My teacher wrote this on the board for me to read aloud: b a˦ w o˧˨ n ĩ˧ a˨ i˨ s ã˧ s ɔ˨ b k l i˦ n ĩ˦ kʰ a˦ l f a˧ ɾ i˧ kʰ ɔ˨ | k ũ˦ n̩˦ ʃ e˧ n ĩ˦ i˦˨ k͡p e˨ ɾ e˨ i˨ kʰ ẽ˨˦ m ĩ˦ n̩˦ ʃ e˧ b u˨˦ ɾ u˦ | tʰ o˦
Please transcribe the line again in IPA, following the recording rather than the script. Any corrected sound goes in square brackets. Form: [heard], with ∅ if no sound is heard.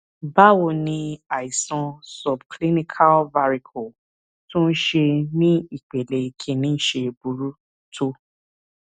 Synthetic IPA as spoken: b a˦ w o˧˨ n ĩ˧ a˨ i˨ s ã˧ s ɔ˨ b k l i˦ n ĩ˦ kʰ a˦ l [v] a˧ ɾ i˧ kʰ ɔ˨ | [t] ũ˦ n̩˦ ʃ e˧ n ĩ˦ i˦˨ k͡p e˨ [l] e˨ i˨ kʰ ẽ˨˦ [n] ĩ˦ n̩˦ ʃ e˧ b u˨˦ ɾ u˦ | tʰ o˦